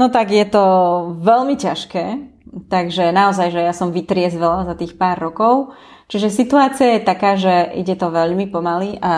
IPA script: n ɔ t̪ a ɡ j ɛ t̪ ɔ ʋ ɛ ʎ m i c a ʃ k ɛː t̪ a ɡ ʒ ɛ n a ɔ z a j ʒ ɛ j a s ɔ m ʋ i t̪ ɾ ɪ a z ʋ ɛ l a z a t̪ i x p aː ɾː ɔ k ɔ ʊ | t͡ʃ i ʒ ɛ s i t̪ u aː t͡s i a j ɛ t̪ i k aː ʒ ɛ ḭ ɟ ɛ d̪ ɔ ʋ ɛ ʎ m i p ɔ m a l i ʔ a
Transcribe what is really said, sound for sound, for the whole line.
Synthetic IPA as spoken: n ɔ t̪ a ɡ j ɛ t̪ ɔ ʋ ɛ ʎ m i c a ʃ k ɛː t̪ a ɡ ʒ ɛ n a ɔ z a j ʒ ɛ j a s ɔ m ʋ i t̪ ɾ ɪ ɛ z ʋ ɛ l a z a t̪ iː x p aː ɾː ɔ k ɔ ʊ | t͡ʃ i ʒ ɛ s i t̪ u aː t͡s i a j ɛ t̪ a k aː ʒ ɛ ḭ ɟ ɛ t̪ ɔ ʋ ɛ ʎ m i p ɔ m a l i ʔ a